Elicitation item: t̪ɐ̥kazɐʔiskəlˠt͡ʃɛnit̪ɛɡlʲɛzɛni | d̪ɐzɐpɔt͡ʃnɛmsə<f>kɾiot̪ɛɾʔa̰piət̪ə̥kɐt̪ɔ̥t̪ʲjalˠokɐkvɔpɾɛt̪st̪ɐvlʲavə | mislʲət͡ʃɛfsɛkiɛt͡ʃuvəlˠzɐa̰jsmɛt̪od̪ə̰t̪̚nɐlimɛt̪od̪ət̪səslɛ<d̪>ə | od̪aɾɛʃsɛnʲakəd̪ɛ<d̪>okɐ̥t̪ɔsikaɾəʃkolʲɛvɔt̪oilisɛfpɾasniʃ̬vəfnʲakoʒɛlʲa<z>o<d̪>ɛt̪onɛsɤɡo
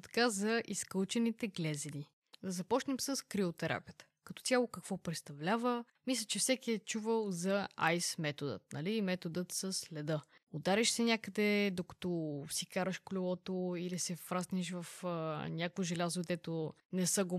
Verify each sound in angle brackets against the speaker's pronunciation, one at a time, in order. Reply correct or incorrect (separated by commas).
incorrect, correct, correct, correct, correct